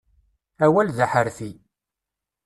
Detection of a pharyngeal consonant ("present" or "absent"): present